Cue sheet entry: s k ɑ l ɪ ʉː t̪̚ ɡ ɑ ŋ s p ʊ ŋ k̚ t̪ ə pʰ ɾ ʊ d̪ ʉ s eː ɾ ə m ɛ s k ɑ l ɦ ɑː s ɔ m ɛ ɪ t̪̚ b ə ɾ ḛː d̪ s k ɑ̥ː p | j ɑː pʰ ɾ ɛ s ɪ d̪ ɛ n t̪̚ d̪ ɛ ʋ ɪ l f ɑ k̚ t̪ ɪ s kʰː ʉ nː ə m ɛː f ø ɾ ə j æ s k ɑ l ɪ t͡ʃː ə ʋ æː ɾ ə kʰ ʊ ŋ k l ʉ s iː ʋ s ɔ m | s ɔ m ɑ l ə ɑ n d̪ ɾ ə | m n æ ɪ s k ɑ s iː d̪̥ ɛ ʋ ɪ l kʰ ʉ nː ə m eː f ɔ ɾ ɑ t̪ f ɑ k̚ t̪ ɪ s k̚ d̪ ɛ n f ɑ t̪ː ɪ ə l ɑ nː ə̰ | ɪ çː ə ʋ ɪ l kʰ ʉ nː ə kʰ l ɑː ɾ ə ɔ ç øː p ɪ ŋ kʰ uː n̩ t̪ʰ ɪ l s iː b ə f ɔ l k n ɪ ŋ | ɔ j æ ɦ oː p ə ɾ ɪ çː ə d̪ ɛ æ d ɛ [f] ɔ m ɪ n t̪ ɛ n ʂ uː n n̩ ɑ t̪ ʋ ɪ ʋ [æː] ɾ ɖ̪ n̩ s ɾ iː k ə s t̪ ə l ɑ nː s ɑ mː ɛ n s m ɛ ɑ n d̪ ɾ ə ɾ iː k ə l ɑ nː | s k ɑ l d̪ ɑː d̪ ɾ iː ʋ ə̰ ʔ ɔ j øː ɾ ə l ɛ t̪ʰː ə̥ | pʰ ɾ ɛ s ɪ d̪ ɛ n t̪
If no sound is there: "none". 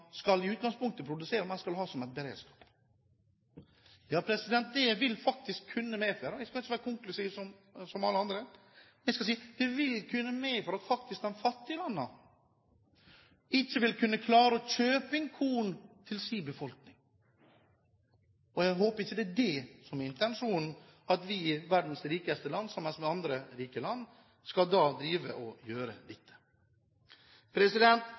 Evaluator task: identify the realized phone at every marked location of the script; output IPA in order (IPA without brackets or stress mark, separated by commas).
s, æ